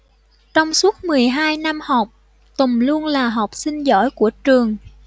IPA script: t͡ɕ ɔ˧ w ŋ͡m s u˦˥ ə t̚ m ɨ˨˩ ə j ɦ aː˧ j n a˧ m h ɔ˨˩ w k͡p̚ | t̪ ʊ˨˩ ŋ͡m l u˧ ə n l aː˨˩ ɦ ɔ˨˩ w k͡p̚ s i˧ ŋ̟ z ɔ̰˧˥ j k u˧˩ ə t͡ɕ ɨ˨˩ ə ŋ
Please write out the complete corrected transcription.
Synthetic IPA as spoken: t͡ɕ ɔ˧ w ŋ͡m s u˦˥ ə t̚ m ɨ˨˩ ə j ɦ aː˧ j n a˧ m h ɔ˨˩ w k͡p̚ | t̪ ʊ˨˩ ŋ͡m l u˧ ə n l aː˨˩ ɦ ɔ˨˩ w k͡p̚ s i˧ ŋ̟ z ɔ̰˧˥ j k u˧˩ ə t͡ɕ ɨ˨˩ ə ŋ